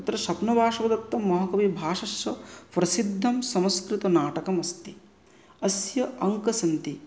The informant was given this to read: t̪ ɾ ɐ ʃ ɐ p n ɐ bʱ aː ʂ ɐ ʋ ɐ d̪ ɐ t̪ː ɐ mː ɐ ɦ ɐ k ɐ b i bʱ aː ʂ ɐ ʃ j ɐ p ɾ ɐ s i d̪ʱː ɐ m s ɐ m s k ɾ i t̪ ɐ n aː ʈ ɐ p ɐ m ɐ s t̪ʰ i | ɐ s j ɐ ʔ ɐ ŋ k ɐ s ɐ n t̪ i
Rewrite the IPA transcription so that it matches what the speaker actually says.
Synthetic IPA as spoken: t̪ ɾ ɐ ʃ ɐ p n ɐ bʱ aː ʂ ɐ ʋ ɐ d̪ ɐ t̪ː ɐ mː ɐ ɦ ɐ k ɐ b i bʱ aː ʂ ɐ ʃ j ɐ p ɾ ɐ s i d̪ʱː ɐ m s ɐ m s k ɾ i t̪ ɐ n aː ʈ ɐ k ɐ m ɐ s t̪ i | ɐ s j ɐ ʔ ɐ ŋ k ɐ s ɐ n t̪ i